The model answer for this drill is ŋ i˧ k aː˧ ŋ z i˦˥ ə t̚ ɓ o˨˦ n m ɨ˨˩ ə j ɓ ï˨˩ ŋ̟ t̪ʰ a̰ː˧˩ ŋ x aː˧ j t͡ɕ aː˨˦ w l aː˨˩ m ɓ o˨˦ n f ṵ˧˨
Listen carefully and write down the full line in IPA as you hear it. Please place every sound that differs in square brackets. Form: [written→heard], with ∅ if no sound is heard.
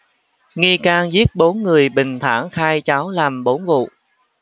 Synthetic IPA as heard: ŋ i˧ k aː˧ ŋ z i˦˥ ə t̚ ɓ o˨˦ n [m→ŋ] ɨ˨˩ ə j ɓ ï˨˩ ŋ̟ t̪ʰ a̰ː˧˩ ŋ x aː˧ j t͡ɕ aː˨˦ w l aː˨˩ m ɓ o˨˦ n [f→v] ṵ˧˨

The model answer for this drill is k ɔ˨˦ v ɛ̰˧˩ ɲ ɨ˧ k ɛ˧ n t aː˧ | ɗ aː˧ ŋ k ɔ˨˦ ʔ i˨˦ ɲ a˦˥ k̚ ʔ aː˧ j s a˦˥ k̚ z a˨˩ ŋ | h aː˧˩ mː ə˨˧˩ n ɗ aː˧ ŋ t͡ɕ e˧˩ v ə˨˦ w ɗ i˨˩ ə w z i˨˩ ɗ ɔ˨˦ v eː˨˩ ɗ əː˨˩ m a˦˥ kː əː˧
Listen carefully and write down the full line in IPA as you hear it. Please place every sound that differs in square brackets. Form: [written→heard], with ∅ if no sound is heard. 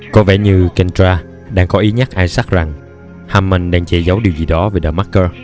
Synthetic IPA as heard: k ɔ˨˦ v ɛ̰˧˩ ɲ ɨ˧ k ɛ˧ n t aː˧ | ɗ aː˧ ŋ k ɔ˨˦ ʔ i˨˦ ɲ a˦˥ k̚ ʔ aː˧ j s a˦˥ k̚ z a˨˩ ŋ | h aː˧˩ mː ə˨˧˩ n ɗ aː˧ ŋ t͡ɕ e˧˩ [v→z] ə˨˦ w ɗ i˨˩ ə w z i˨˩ ɗ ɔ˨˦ v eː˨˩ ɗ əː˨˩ m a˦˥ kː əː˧

